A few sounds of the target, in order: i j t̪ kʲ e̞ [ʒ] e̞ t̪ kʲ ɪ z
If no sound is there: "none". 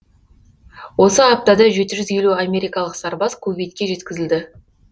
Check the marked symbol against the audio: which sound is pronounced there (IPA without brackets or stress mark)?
ʒ